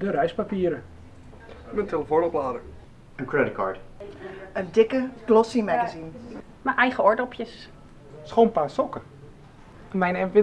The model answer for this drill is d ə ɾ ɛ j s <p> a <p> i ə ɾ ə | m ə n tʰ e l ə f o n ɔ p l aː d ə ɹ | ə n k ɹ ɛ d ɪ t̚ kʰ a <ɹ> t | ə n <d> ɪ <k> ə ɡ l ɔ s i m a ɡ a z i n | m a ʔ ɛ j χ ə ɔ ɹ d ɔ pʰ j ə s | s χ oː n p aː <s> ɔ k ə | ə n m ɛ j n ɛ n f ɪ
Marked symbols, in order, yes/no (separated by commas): yes, yes, yes, yes, yes, yes